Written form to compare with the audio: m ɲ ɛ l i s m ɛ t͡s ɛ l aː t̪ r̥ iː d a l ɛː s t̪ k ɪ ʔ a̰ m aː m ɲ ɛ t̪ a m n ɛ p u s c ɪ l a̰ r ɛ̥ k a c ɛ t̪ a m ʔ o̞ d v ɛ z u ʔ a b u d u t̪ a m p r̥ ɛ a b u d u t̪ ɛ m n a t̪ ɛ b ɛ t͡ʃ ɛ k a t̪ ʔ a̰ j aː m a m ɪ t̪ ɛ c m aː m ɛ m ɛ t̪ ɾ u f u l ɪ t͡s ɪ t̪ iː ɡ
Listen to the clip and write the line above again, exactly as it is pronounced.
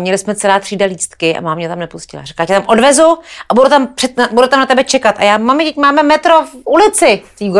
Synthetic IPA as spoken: m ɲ ɛ l ɪ s m ɛ t͡s ɛ l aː t̪ r̥ iː d a l iː s t̪ k ɪ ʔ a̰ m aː m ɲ ɛ t̪ a m n ɛ p u s c ɪ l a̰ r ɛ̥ k a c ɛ t̪ a m ʔ o̞ d v ɛ z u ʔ a b u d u t̪ a m p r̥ ɛ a b u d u t̪ a m n a t̪ ɛ b ɛ t͡ʃ ɛ k a t̪ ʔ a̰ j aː m a m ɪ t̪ ɛ c m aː m ɛ m ɛ t̪ ɾ o f u l ɪ t͡s ɪ t̪ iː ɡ